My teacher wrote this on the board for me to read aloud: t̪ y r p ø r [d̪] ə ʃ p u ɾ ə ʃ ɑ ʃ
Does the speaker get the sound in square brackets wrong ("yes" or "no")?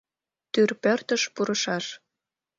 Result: yes